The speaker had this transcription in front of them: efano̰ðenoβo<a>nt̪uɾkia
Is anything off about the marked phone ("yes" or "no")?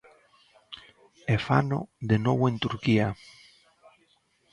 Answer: yes